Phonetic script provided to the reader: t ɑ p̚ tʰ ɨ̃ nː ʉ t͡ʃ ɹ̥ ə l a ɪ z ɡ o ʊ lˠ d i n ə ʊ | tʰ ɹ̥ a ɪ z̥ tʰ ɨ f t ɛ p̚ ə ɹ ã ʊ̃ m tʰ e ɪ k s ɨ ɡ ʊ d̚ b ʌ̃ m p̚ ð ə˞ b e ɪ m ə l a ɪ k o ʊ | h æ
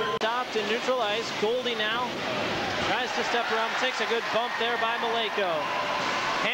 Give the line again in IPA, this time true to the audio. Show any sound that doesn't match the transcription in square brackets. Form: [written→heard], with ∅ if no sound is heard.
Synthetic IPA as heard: t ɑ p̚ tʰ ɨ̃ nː ʉ t͡ʃ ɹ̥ ə l a ɪ z ɡ o ʊ lˠ d i n [ə→a] ʊ | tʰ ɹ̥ a ɪ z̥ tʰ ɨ [f→s] t ɛ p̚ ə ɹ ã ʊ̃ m tʰ e ɪ k s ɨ ɡ ʊ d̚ b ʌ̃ m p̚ ð ə˞ b [e→a] ɪ m ə l [a→e] ɪ k o ʊ | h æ